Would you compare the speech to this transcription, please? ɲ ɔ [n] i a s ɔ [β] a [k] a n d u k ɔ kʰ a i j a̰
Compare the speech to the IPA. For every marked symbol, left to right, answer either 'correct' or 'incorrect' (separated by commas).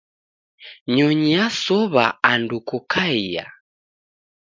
incorrect, correct, incorrect